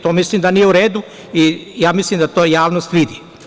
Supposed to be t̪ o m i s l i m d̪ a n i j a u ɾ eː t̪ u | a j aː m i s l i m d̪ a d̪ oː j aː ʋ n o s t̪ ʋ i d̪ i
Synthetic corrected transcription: t̪ o m i s l i m d̪ a n i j e u ɾ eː d̪ u | i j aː m i s l i m d̪ a t̪ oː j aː ʋ n o s t̪ ʋ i d̪ i